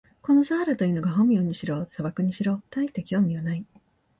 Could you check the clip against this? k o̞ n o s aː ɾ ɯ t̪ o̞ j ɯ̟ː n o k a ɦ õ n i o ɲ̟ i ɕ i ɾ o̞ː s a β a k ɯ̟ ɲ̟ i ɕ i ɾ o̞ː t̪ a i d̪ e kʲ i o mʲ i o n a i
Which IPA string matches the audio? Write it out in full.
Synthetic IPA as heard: k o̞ n o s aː ɾ ɯ t̪ o̞ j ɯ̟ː n o ɡ a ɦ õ m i o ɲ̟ i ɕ i ɾ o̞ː s a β a k ɯ̟ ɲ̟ i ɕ i ɾ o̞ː t̪ a i t̪ e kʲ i o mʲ i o n a i